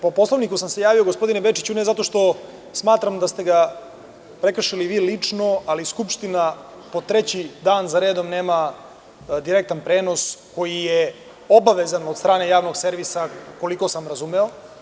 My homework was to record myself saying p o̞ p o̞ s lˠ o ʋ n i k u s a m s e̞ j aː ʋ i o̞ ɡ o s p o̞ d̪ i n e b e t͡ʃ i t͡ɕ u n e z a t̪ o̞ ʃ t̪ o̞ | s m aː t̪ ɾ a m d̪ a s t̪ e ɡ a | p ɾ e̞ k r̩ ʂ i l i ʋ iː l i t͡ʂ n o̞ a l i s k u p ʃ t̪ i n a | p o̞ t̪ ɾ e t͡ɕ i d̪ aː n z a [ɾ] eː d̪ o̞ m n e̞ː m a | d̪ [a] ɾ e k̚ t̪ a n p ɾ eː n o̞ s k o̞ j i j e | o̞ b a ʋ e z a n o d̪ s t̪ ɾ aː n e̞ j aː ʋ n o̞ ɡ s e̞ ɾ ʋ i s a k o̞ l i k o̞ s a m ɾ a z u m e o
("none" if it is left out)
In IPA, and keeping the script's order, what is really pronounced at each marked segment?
ɾ, i

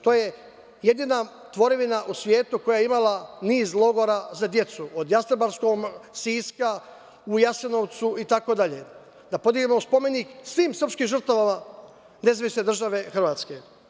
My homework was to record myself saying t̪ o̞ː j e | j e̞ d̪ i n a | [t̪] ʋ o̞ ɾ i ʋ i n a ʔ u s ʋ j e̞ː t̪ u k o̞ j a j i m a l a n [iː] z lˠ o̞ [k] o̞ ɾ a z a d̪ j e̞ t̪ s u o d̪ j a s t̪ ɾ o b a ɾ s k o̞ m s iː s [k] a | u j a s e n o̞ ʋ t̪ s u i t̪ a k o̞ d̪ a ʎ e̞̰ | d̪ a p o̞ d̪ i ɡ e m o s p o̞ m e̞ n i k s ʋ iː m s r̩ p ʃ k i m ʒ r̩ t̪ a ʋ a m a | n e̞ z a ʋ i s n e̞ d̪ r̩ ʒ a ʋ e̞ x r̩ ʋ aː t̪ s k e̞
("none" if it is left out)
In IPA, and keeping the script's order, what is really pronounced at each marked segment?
t̪, iː, ɡ, k

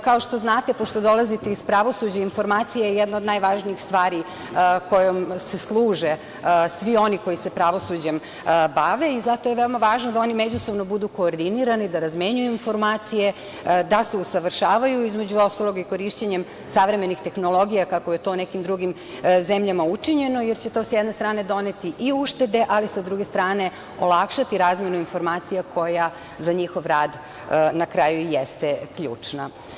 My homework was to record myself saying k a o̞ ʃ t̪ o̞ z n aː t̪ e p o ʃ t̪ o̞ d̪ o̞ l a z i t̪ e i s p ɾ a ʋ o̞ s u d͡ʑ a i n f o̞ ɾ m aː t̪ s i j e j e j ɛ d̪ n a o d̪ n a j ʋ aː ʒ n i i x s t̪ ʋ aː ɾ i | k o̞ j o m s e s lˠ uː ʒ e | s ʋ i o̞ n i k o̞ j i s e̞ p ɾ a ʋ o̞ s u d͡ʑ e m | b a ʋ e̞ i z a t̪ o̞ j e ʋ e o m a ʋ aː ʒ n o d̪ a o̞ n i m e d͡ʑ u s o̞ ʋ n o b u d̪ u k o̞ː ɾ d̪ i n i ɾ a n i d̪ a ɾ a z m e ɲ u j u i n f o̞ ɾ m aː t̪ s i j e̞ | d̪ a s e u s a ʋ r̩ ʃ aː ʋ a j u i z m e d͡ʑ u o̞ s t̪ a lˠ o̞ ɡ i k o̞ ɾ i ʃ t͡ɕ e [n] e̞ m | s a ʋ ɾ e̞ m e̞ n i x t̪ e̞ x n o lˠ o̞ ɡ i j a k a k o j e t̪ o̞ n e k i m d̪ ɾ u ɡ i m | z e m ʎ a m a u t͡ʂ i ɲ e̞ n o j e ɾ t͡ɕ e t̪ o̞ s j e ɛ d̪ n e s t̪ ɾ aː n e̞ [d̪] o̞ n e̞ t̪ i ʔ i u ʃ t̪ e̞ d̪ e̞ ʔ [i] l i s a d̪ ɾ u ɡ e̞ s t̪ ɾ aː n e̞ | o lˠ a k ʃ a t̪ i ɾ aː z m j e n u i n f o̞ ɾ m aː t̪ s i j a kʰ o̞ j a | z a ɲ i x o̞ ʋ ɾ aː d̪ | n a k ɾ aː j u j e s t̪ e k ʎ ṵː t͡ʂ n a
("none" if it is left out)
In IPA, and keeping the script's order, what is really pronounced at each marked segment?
ɲ, d̪, a

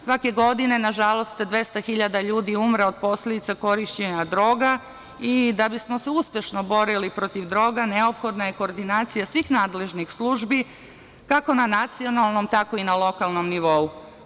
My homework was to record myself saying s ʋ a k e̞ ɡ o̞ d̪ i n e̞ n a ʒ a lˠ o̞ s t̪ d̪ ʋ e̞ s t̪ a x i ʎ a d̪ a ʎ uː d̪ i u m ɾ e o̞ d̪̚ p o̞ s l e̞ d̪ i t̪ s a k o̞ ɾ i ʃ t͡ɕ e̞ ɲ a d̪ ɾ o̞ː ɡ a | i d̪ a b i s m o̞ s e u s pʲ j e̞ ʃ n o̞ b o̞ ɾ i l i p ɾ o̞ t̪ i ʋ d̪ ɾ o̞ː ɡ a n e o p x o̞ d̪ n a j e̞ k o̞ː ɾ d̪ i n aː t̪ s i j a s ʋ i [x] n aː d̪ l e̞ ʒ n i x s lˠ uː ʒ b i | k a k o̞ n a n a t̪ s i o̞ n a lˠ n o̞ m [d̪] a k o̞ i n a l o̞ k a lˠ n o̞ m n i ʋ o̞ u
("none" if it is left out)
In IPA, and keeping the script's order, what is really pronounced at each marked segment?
x, t̪

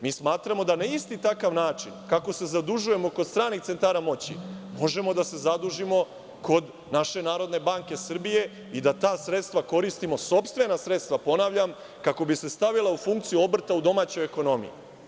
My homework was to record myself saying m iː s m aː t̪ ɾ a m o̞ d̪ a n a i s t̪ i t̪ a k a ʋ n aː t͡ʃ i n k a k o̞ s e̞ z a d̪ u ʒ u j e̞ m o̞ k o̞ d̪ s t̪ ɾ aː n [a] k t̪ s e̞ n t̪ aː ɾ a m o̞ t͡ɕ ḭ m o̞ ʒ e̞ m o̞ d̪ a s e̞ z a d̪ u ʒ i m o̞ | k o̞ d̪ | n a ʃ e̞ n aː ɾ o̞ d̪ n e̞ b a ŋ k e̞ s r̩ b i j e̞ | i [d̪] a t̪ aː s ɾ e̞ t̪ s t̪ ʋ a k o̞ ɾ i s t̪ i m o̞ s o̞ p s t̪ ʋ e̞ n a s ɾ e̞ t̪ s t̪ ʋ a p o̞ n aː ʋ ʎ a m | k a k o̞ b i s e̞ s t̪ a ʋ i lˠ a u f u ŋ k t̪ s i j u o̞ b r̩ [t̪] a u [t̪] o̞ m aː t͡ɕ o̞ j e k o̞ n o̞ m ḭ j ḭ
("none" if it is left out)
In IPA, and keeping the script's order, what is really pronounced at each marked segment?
i, d̪, t̪, d̪

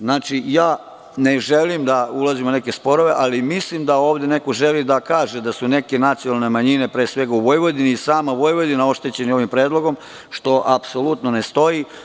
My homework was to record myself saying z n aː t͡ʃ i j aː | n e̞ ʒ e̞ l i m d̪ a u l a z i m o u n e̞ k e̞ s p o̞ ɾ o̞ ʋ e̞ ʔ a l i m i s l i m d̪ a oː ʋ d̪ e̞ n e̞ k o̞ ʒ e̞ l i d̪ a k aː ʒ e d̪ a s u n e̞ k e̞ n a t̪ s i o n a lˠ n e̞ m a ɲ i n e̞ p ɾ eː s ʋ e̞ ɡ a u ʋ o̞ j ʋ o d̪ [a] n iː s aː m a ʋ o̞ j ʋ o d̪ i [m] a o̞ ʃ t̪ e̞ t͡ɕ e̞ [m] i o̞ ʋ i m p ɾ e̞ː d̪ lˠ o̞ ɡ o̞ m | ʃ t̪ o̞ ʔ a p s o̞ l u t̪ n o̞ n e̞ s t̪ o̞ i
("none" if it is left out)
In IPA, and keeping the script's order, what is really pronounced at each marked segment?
i, n, n

